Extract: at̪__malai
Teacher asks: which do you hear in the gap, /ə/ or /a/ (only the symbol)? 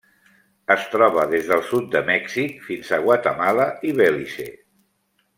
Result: ə